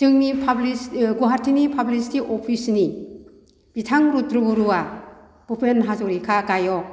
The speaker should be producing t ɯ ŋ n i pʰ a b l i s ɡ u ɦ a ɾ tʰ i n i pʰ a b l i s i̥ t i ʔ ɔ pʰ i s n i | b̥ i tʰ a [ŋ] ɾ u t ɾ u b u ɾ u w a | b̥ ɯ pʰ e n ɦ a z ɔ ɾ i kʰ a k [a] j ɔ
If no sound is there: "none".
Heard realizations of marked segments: ŋ, a

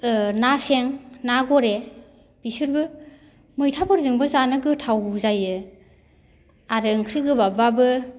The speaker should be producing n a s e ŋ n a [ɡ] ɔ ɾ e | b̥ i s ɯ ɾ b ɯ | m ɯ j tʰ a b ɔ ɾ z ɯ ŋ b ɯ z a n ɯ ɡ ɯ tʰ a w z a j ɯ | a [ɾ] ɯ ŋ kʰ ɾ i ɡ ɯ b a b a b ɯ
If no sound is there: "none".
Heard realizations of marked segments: ɡ, ɾ

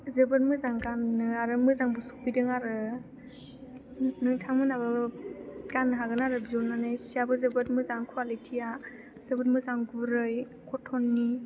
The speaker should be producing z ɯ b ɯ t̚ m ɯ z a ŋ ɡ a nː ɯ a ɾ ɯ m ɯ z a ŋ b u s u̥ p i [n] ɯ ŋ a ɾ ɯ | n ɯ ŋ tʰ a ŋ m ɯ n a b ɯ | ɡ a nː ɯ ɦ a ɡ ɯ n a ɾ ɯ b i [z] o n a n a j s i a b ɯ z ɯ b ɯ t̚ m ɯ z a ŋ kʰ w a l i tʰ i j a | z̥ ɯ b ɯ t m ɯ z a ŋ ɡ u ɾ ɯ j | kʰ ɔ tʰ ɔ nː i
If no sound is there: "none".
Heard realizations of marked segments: d, z

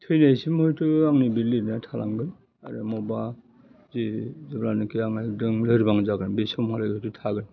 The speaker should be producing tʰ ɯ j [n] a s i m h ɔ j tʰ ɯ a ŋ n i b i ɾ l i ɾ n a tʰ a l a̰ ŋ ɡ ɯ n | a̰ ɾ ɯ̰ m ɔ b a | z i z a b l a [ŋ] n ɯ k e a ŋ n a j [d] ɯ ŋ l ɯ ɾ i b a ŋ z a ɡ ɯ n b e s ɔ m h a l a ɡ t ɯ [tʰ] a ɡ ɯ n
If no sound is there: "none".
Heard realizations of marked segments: n, none, d, tʰ

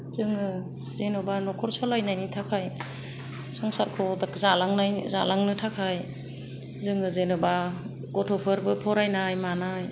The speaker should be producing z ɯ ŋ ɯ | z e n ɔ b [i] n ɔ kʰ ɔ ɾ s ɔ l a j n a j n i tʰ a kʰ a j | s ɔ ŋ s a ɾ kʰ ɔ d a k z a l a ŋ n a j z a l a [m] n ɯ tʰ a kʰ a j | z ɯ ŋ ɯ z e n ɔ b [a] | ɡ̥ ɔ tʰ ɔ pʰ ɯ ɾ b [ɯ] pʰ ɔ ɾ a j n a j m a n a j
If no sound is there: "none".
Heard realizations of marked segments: a, ŋ, a, ɯ

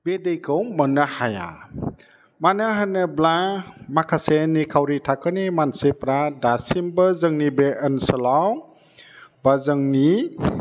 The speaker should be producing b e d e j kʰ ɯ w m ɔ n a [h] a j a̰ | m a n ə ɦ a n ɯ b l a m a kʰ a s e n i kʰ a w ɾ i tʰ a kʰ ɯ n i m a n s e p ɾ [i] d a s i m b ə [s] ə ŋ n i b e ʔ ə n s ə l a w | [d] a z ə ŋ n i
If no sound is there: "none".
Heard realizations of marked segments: h, a, z, b

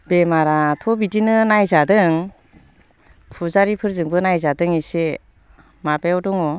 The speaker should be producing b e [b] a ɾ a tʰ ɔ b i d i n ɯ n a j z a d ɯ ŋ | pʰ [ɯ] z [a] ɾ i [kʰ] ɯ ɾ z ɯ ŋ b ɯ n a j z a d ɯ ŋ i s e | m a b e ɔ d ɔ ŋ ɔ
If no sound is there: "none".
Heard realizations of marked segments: m, u, a, pʰ

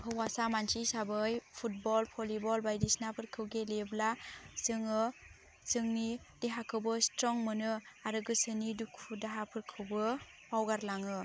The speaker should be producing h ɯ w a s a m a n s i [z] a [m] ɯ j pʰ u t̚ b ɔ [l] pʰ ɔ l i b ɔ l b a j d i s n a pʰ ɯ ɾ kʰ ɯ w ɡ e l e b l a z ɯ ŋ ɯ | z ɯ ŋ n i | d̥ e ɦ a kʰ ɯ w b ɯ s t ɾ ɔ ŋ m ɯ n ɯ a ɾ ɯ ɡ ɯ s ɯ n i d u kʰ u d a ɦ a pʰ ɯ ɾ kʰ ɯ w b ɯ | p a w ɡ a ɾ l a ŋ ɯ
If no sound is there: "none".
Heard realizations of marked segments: s, b, l

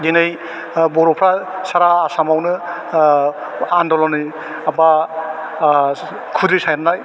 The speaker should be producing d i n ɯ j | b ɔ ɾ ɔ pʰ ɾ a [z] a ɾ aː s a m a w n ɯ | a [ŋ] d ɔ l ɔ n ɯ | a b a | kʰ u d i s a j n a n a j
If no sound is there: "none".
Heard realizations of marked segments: s, n

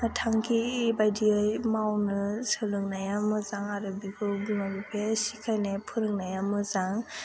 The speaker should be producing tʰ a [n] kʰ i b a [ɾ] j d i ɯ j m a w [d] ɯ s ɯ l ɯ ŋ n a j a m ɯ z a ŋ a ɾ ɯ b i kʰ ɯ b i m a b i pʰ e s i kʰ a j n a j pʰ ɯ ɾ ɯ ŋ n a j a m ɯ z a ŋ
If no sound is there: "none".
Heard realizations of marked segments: ŋ, none, n

